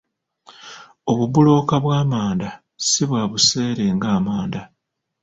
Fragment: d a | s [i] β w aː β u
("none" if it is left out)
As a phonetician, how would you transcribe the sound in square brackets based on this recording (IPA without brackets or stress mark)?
i